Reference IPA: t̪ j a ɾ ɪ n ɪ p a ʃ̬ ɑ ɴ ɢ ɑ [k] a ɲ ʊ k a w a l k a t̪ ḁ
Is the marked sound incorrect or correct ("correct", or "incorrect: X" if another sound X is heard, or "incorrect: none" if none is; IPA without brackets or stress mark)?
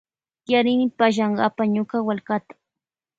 incorrect: p